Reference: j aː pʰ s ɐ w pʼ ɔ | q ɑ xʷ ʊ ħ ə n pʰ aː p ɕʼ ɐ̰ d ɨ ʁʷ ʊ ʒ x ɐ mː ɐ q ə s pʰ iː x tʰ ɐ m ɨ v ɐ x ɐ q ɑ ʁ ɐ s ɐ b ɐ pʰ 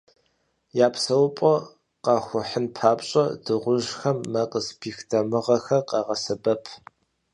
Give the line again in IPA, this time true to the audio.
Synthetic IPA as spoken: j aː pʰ s ɐ w pʼ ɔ | q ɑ xʷ ʊ ħ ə n pʰ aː p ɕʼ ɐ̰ d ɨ ʁʷ ʊ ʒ x ɐ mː ɐ q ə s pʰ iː x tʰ ɐ m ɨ ʁ ɐ x ɐ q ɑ ʁ ɐ s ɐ b ɐ pʰ